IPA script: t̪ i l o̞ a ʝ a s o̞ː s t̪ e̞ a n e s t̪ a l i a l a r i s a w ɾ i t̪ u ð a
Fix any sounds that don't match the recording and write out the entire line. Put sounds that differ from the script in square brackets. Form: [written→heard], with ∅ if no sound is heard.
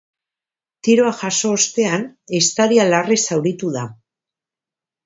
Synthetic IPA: t̪ i [l→ɾ] o̞ a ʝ a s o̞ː s t̪ e̞ a n e s t̪ a [l→ɾ] i a l a r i s a w ɾ i t̪ u ð a